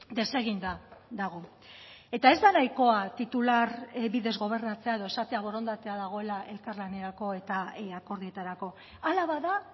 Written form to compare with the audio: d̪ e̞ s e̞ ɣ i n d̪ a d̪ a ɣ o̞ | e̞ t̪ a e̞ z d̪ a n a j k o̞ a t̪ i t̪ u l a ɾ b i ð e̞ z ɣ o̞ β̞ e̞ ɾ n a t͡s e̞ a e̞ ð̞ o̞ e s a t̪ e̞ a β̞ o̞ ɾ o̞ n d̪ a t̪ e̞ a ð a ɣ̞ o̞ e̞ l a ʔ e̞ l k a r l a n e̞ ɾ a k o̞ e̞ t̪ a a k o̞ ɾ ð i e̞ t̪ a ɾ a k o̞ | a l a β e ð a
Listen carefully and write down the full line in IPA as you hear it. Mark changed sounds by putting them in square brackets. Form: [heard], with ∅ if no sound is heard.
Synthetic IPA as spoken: d̪ e̞ s e̞ ɣ i n d̪ a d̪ a ɣ o̞ | e̞ t̪ a e̞ z d̪ a n a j k o̞ a t̪ i t̪ u l a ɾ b i ð e̞ z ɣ o̞ β̞ e̞ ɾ n a t͡s e̞ a e̞ ð̞ o̞ e s a t̪ e̞ a β̞ o̞ ɾ o̞ n d̪ a t̪ e̞ a ð a ɣ̞ o̞ e̞ l a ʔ e̞ l k a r l a n e̞ ɾ a k o̞ e̞ t̪ a a k o̞ ɾ ð i e̞ t̪ a ɾ a k o̞ | a l a β [a] ð a